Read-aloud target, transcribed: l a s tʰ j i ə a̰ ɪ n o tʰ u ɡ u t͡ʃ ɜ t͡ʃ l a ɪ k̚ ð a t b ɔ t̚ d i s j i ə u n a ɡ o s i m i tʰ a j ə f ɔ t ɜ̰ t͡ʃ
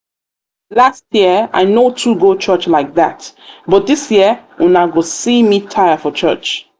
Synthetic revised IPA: l a s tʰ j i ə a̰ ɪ n o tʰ u ɡ o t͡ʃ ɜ t͡ʃ l a ɪ k̚ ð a t b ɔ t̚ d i s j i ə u n a ɡ o s i m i tʰ a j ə f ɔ t͡ʃ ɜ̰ t͡ʃ